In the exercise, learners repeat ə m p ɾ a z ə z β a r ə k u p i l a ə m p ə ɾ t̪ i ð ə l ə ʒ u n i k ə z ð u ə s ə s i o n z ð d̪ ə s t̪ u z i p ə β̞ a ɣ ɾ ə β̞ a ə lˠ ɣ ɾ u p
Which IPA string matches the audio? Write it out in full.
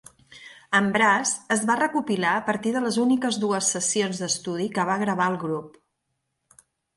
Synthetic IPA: ə m b ɾ a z ə z β a r ə k u p i l a ə p ə ɾ t̪ i ð ə l ə z u n i k ə z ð u ə s ə s i o n z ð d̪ ə s t̪ u ð i k ə β̞ a ɣ ɾ ə β̞ a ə lˠ ɣ ɾ u p